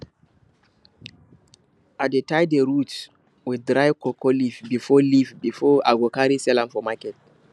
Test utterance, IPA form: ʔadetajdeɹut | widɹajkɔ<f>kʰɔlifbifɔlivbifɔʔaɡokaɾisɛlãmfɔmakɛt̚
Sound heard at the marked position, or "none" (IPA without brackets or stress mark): none